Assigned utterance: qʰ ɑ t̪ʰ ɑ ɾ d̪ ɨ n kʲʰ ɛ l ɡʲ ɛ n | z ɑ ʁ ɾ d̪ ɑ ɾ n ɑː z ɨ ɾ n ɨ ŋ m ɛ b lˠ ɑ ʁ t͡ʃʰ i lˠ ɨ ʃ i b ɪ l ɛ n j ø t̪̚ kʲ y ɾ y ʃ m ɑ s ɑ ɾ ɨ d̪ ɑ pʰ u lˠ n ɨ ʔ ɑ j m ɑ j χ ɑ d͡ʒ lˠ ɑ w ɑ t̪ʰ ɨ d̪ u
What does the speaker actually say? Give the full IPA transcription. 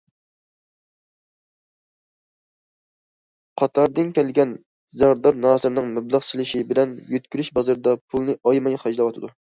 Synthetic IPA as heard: qʰ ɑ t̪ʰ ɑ ɾ d̪ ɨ n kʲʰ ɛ l ɡʲ ɛ n | z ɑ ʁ ɾ d̪ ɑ ɾ n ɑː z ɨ ɾ n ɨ ŋ m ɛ b lˠ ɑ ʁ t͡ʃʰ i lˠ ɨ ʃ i b ɪ l ɛ n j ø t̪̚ kʲ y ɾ y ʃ b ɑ z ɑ ɾ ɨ d̪ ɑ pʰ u lˠ n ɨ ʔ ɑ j m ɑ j χ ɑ d͡ʒ lˠ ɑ w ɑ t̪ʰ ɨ d̪ u